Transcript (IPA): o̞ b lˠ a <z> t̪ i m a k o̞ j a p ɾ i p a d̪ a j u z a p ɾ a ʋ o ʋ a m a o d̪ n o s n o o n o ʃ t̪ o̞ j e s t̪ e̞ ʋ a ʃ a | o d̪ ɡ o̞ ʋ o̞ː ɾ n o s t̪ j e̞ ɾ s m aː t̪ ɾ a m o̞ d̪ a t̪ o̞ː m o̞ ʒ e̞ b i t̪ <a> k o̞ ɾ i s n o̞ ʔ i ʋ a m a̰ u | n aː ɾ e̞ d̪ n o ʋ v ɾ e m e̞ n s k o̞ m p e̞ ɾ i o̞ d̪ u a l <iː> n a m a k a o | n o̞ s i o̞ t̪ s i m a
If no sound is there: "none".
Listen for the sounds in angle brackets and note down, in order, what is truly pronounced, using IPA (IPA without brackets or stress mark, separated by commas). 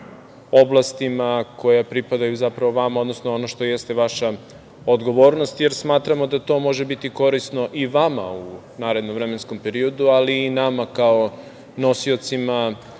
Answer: s, i, iː